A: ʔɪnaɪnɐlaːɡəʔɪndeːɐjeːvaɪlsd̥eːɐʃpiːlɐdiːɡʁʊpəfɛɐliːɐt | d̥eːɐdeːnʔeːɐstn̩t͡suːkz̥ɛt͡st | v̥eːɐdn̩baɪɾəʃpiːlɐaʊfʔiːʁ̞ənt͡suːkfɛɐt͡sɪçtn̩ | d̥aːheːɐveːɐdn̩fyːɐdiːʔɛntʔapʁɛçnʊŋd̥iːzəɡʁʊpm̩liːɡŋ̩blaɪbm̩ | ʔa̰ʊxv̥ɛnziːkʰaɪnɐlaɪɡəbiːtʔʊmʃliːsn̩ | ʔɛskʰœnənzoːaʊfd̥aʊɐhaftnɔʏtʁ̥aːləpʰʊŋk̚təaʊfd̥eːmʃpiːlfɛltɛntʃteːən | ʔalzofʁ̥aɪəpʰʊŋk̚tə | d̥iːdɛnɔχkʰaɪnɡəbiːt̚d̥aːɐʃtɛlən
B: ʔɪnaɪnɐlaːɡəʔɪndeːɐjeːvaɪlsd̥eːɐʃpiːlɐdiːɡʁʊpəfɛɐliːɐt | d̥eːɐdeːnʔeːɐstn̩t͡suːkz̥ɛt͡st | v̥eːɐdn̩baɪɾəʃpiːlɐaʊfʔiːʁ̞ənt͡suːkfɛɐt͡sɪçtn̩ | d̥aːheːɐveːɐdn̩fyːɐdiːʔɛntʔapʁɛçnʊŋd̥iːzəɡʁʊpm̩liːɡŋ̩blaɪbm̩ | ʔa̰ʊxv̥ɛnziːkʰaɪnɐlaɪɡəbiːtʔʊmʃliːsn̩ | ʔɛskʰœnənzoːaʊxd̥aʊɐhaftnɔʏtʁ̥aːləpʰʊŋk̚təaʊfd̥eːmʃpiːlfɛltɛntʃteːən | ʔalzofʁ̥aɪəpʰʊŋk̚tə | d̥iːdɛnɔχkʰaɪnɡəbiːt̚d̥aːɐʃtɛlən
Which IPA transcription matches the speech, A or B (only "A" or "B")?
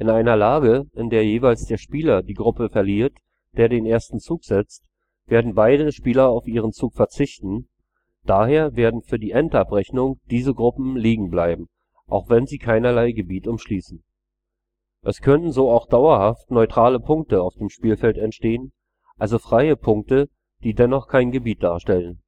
B